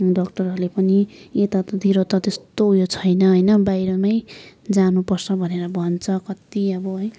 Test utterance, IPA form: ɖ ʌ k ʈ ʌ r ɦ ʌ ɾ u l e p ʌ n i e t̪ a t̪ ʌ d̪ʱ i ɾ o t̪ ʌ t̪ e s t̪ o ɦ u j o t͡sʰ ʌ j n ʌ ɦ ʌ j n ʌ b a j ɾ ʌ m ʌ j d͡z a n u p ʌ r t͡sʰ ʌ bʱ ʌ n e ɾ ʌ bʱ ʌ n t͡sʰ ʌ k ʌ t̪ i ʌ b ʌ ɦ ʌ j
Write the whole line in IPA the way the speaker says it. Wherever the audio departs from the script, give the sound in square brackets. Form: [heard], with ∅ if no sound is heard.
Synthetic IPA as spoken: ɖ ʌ k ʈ ʌ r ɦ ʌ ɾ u l e p ʌ n i e t̪ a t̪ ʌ d̪ʱ i ɾ o t̪ ʌ t̪ e s t̪ o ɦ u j o t͡sʰ ʌ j n ʌ ɦ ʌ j n ʌ b a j ɾ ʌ m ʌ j d͡z a n u p ʌ r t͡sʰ ʌ bʱ ʌ n e ɾ ʌ bʱ ʌ n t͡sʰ ʌ k ʌ t̪ i ʌ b ʌ ɦ ʌ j